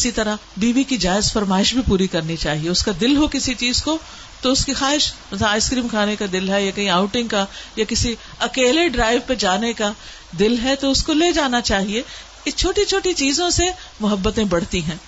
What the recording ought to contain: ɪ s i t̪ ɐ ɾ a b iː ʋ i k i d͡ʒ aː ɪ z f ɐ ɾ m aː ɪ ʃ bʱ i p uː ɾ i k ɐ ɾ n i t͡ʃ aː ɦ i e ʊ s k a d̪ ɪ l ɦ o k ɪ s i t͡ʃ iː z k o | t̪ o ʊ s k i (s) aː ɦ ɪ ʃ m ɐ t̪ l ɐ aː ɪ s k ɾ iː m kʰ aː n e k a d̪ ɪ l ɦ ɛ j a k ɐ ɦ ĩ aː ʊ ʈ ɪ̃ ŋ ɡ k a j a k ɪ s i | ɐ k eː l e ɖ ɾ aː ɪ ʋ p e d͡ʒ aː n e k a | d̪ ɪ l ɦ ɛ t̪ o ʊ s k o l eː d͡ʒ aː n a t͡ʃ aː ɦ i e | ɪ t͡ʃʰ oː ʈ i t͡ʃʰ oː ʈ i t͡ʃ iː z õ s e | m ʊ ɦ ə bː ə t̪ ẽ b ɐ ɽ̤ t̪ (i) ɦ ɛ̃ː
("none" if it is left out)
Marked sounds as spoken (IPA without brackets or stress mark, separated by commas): x, i